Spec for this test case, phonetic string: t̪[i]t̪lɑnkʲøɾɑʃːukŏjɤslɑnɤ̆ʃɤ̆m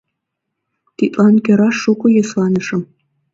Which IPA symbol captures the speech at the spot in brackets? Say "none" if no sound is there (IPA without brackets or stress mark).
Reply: i